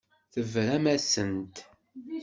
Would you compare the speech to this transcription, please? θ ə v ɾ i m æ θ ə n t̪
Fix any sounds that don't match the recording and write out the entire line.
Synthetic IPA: θ ə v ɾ æ m æ s ə n t̪